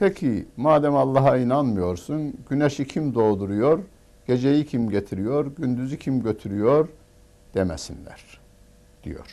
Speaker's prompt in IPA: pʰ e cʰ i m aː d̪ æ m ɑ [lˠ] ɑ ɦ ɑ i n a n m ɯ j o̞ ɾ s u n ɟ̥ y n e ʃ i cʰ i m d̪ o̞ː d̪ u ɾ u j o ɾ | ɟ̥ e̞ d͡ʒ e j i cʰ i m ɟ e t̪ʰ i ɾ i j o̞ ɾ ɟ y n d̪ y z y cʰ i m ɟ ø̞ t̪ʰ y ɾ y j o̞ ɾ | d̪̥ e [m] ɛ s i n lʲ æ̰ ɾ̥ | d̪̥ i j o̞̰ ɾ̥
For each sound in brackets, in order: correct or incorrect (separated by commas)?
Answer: incorrect, correct